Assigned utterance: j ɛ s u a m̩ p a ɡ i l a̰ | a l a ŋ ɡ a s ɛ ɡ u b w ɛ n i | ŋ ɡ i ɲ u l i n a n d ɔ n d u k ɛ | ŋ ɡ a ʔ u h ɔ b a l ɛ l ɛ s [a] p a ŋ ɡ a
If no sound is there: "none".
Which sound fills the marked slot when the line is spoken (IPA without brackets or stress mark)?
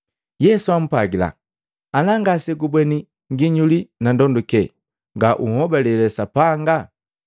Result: a